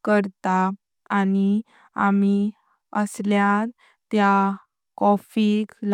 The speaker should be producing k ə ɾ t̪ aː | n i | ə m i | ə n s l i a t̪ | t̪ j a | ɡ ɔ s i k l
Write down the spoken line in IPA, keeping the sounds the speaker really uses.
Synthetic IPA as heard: k ə ɾ t̪ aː | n i | a m i | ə s l j a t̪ | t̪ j a | k ɔ f i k l